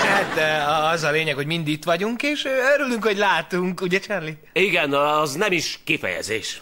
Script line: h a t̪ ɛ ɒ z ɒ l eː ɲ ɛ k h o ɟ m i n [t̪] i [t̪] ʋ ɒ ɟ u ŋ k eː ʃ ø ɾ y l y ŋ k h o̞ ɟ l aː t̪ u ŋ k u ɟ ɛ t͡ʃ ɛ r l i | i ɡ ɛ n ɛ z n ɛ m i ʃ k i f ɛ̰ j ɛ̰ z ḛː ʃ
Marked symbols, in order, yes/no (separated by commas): no, yes